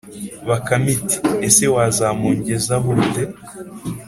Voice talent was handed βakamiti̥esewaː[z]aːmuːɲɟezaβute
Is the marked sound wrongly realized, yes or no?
no